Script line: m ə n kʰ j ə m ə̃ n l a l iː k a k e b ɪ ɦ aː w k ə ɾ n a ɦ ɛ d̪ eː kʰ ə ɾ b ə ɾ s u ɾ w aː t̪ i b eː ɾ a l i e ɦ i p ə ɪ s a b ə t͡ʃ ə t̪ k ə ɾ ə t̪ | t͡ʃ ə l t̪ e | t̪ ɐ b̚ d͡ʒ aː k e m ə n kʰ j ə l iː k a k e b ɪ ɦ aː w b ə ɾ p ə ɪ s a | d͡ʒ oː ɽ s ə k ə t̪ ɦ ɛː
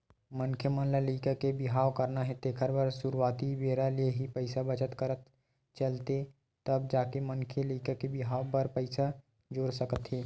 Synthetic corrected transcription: m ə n kʰ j ə m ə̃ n l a l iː k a k e b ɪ ɦ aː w k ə ɾ n a ɦ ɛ t̪ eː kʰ ə ɾ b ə ɾ s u ɾ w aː t̪ i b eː ɾ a l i e ɦ i p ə ɪ s a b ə t͡ʃ ə t̪ k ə ɾ ə t̪ | t͡ʃ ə l t̪ e | t̪ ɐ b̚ d͡ʒ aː k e m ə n kʰ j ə l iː k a k e b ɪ ɦ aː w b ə ɾ p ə ɪ s a | d͡ʒ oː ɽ s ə k ə t̪ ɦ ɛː